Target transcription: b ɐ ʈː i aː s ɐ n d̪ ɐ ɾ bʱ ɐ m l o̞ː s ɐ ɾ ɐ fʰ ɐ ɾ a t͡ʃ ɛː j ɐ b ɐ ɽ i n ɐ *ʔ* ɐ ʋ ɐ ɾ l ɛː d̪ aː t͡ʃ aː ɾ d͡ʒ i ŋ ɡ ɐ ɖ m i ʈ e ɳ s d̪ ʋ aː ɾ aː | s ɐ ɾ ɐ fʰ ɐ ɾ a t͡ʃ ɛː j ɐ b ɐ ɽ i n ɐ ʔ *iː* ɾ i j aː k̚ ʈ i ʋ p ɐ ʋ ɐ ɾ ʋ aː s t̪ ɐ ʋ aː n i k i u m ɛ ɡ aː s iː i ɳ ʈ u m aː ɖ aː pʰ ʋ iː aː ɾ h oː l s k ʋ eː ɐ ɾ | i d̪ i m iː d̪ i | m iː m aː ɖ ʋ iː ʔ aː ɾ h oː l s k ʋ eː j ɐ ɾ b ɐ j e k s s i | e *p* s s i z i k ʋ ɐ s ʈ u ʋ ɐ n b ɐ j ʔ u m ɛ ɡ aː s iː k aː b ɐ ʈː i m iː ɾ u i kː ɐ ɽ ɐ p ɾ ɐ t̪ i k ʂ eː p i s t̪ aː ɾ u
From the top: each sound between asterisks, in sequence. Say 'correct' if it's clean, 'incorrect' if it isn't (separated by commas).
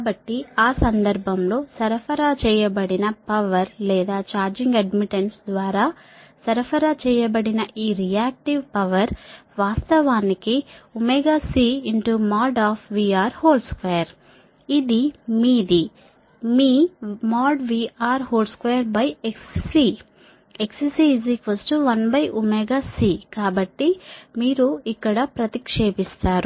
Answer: incorrect, correct, incorrect